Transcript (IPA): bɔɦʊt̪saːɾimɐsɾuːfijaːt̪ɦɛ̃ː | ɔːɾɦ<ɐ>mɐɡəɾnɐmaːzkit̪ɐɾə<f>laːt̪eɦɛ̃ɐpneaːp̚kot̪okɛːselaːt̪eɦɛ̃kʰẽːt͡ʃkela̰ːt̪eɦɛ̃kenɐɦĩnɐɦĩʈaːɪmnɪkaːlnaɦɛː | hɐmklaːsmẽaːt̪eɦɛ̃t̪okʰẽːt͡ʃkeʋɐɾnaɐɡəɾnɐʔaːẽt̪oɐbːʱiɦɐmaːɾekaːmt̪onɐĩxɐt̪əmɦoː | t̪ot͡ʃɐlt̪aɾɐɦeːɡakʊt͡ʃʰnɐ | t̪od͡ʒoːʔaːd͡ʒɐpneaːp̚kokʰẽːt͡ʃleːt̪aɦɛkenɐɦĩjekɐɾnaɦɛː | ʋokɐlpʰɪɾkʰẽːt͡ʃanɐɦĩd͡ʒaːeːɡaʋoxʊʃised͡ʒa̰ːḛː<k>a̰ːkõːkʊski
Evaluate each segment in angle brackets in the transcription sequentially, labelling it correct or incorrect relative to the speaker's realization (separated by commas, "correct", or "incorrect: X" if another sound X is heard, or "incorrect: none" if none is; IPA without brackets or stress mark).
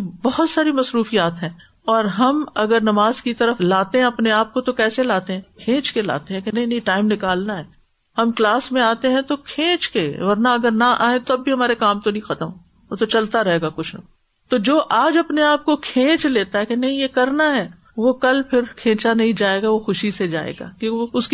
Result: correct, correct, incorrect: ɡ